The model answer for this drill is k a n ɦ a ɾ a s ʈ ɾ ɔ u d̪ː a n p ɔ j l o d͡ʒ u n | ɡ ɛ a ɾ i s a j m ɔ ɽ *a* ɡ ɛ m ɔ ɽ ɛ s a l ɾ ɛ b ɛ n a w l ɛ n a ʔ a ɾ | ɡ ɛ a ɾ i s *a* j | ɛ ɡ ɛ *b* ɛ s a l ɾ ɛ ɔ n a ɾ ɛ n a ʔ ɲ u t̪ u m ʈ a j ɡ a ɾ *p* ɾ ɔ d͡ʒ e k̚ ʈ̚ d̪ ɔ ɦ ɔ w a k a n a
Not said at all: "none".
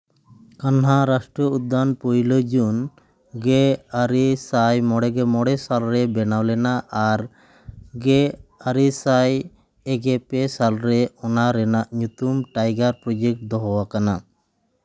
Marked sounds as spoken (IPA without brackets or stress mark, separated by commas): ɛ, a, p, p